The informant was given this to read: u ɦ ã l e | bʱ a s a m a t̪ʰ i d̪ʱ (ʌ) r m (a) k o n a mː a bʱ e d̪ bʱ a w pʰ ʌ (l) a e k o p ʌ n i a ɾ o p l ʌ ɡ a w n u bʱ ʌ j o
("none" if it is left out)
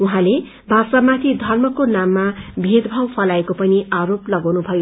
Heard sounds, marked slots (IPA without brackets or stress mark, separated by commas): ʌ, ʌ, l